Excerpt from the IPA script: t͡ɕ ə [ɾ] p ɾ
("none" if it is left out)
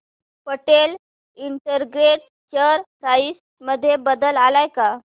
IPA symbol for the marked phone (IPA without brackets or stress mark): ɾ